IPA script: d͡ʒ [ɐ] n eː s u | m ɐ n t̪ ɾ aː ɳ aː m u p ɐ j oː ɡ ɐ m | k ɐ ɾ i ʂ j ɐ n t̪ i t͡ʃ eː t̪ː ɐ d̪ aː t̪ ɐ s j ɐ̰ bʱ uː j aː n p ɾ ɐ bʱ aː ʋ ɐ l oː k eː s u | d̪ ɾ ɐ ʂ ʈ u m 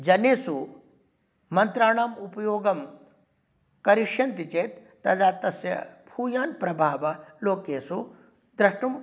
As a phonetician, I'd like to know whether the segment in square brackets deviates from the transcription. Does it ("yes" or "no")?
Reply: no